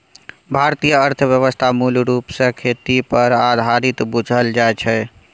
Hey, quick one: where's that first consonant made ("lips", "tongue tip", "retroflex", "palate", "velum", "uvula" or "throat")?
lips